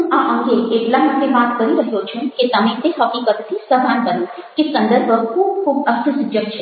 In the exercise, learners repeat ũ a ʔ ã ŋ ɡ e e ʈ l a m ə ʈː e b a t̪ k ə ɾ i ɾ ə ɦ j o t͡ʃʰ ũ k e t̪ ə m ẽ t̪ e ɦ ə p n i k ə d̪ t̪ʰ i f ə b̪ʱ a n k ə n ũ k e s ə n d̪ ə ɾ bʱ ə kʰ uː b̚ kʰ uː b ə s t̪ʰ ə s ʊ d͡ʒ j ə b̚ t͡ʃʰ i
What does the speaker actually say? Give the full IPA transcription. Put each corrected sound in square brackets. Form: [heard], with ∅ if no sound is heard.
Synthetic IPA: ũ a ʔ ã ŋ ɡ e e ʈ l a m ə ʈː e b a t̪ k ə ɾ i ɾ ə ɦ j o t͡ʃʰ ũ k e t̪ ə m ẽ t̪ e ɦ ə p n i k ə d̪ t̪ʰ i [s] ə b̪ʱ a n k ə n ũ k e s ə n d̪ ə ɾ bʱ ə kʰ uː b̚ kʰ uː b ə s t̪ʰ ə s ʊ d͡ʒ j ə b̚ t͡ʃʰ [e]

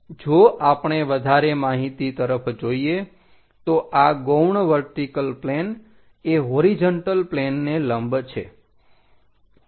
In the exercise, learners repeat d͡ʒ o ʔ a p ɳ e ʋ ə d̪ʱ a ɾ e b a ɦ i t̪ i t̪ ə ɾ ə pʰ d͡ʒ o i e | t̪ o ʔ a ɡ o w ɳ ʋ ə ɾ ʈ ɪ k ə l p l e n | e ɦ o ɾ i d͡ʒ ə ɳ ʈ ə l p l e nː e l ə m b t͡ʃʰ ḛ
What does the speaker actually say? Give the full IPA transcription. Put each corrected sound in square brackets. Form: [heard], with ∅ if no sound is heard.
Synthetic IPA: d͡ʒ o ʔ a p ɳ e ʋ ə d̪ʱ a ɾ e [m] a ɦ i t̪ i t̪ ə ɾ ə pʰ d͡ʒ o i e | t̪ o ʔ a ɡ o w ɳ ʋ ə ɾ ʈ [i] k ə l p l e n | e ɦ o ɾ i d͡ʒ ə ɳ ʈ ə l p l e nː e l ə m b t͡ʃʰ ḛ

